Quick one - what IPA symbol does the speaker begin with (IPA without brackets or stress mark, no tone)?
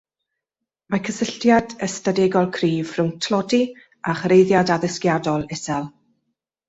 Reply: m